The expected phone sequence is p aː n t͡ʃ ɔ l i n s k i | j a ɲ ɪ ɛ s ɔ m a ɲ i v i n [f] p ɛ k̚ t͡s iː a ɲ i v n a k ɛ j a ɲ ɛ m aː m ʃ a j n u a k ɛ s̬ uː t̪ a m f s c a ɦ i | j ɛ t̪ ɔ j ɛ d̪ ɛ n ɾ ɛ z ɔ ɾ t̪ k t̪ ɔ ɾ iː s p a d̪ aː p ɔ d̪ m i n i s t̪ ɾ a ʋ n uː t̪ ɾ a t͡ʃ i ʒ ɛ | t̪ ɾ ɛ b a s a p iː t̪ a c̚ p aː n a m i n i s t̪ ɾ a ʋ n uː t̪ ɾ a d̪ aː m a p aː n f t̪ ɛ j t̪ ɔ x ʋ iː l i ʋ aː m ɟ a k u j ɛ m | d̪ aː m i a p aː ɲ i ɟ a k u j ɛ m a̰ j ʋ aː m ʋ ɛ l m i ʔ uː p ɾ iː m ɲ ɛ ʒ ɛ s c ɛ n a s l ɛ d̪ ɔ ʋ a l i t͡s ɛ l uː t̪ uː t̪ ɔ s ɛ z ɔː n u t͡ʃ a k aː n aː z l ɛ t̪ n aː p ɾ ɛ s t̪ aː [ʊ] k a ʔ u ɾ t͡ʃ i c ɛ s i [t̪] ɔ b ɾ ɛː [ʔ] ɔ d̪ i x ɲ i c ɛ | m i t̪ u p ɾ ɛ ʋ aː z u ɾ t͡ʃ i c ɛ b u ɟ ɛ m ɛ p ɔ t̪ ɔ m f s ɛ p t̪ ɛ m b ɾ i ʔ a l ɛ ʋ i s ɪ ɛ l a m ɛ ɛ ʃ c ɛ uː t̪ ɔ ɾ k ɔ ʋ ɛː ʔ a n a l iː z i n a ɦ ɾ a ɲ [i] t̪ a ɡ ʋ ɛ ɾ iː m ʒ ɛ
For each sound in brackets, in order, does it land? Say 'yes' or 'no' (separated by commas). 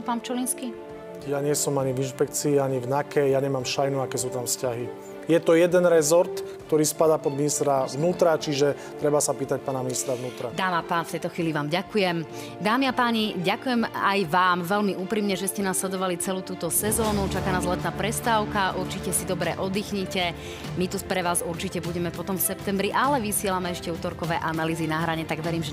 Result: no, yes, no, yes, no